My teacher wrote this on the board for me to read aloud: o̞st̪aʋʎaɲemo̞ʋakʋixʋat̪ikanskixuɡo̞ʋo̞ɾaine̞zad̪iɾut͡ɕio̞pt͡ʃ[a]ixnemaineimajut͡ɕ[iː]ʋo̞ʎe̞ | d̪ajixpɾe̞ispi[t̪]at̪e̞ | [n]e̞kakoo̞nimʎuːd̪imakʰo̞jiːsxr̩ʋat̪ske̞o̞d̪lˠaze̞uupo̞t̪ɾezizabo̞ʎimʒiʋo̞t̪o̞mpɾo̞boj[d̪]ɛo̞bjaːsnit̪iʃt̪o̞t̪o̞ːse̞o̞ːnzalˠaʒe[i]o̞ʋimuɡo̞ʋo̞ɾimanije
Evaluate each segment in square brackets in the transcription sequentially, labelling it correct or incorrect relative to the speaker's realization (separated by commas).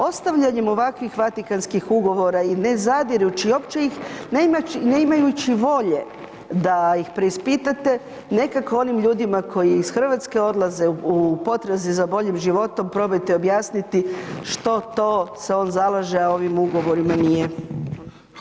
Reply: incorrect, incorrect, correct, correct, incorrect, incorrect